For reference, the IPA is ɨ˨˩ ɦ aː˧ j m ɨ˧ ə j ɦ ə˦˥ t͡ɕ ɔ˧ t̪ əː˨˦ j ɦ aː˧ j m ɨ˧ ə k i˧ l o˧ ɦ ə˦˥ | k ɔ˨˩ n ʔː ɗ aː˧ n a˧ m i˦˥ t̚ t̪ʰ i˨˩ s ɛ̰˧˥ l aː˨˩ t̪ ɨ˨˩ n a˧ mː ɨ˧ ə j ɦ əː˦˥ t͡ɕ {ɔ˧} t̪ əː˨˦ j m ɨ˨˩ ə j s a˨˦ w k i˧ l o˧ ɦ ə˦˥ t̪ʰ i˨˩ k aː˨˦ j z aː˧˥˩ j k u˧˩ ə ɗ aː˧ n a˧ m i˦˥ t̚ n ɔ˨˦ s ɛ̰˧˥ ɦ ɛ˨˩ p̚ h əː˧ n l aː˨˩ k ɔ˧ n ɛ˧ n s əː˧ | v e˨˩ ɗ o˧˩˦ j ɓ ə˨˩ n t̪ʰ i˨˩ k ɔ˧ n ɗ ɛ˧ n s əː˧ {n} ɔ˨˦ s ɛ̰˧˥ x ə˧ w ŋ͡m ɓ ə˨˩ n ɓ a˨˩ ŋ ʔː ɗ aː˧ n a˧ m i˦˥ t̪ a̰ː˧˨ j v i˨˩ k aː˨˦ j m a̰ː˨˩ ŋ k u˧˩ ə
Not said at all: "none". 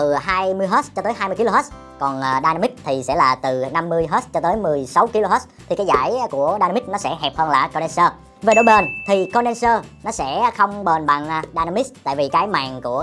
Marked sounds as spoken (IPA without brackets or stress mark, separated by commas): ɔ˧, n